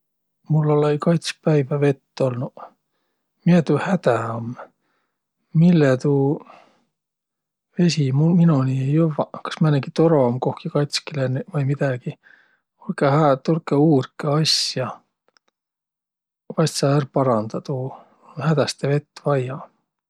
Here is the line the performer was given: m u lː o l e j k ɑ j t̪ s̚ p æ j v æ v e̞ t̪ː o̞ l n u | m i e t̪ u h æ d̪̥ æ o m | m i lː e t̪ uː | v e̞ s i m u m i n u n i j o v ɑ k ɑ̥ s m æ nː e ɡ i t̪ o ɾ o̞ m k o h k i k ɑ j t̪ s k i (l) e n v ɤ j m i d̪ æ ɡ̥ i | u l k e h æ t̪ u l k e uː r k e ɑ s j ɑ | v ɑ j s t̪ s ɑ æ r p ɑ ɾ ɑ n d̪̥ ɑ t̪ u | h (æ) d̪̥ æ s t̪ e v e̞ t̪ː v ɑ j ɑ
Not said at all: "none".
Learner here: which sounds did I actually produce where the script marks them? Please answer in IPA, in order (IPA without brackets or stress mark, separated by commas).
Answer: l, æ